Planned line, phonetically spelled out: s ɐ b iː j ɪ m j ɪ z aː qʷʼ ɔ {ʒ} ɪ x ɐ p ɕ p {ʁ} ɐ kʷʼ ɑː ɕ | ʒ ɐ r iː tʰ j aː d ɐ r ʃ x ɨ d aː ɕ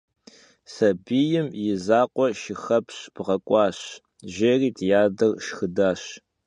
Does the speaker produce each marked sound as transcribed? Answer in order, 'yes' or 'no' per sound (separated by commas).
no, yes